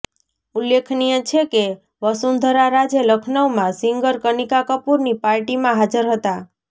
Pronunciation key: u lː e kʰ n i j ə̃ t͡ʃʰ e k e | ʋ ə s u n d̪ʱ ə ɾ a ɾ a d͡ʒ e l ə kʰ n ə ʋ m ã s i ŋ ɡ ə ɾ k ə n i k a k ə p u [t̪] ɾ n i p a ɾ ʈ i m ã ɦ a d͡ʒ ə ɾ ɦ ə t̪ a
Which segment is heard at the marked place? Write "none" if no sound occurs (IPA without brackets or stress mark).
none